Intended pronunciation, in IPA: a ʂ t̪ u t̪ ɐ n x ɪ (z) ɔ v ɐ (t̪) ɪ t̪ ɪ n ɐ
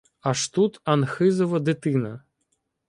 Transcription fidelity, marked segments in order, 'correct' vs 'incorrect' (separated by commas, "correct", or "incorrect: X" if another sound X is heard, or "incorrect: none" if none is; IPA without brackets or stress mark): correct, incorrect: d̪